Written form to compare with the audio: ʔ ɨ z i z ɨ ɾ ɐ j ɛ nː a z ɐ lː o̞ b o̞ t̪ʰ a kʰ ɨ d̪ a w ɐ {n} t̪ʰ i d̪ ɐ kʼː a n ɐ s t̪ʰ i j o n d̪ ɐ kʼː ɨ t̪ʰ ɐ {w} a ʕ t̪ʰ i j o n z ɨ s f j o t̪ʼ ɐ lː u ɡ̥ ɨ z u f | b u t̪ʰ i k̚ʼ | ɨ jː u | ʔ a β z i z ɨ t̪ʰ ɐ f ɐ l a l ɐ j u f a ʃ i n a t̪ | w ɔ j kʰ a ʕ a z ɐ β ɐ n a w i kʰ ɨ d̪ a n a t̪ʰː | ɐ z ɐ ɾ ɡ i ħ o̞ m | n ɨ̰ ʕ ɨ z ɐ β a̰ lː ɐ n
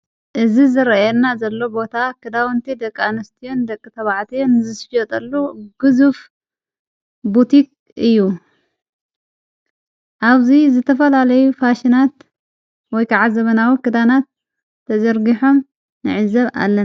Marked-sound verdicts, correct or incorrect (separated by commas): correct, incorrect